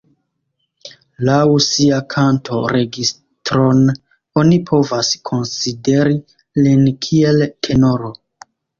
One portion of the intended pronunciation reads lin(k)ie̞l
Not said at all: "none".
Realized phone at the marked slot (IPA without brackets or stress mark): kʰ